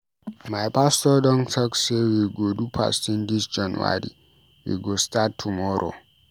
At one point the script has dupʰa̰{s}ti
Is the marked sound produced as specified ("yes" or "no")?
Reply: yes